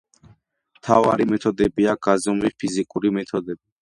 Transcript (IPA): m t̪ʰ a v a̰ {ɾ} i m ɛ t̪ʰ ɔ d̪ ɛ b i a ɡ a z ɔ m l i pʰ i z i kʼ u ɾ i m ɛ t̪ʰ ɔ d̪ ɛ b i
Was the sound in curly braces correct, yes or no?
yes